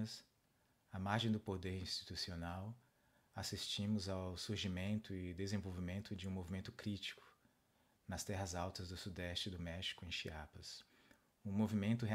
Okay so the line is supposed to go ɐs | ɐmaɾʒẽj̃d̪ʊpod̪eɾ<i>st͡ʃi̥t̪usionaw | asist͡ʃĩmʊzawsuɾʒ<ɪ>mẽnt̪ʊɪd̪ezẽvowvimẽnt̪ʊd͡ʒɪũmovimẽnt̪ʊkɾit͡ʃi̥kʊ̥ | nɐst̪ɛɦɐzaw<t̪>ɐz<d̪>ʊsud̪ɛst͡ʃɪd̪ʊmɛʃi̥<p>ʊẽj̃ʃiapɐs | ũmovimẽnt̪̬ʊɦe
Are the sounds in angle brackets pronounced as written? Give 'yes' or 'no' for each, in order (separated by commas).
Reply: no, no, yes, yes, no